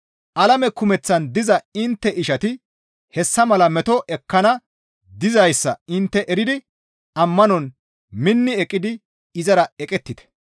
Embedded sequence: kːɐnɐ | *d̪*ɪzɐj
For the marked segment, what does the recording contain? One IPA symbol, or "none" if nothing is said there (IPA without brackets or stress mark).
d̪